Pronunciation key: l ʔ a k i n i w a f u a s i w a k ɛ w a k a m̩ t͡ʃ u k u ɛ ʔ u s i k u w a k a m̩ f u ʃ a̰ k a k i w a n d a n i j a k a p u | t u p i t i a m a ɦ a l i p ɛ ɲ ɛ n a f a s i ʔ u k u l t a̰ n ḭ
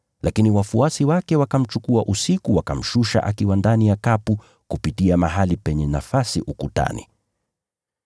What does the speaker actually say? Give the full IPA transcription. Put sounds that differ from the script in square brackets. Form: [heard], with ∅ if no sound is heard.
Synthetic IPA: l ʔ a k i n i w a f u a s i w a k ɛ w a k a m̩ t͡ʃ u k u [a] ʔ u s i k u w a k a m̩ [ʃ] u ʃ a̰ [ʔ] a k i w a n d a n i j a k a p u | [k] u p i t i a m a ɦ a l i p ɛ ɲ ɛ n a f a s i ʔ u k u [∅] t a̰ n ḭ